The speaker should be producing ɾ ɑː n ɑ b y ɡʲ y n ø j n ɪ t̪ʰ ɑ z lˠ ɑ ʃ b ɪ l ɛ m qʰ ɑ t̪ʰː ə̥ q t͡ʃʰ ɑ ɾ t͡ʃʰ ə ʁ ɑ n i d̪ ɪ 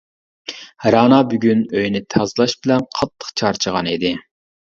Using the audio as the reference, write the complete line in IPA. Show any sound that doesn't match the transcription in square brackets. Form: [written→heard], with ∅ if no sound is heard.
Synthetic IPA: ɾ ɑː n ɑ b y ɡʲ y n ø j n ɪ t̪ʰ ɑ z lˠ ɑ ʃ b ɪ l ɛ [m→n] qʰ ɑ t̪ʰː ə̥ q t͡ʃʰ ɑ ɾ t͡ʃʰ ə ʁ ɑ n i d̪ ɪ